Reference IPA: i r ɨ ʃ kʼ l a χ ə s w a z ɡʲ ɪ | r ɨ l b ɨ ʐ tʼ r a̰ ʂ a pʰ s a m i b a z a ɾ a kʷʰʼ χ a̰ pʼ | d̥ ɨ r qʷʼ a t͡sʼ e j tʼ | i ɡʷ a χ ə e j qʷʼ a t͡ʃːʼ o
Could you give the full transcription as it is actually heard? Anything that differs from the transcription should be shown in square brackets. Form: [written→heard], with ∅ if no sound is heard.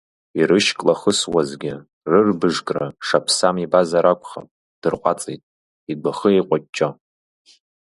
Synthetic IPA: i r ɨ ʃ kʼ l a χ ə s w a z ɡʲ ɪ | r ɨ [l→r] b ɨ ʐ [tʼ→kʼ] r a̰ ʂ a pʰ s a m i b a z a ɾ a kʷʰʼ χ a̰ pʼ | d̥ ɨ r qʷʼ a t͡sʼ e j tʼ | i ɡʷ a χ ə e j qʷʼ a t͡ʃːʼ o